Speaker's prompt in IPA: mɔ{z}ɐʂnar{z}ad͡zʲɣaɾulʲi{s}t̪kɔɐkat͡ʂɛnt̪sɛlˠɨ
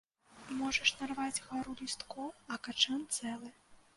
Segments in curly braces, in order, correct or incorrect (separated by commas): incorrect, incorrect, correct